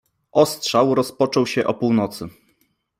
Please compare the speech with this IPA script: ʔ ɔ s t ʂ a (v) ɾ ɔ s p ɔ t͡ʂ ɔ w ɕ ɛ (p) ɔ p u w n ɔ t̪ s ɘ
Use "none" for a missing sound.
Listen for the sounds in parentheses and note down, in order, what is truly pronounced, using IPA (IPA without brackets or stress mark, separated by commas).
w, ʔ